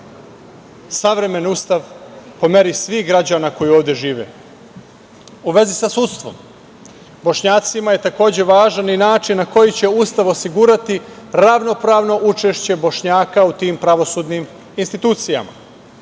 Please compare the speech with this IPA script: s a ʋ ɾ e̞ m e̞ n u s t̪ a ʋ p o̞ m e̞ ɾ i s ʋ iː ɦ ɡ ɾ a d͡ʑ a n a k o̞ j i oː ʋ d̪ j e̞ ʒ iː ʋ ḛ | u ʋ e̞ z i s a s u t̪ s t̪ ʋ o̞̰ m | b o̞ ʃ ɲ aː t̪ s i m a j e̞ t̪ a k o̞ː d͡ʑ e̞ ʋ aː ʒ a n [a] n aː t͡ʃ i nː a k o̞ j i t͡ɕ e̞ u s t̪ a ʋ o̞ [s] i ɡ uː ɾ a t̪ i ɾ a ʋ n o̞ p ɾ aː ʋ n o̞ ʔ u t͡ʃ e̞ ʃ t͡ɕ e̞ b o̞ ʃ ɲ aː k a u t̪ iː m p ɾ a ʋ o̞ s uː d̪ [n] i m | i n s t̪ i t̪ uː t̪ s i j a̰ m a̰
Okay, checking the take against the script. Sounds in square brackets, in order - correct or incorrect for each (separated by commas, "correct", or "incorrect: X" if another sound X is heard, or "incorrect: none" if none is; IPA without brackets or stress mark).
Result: incorrect: i, correct, correct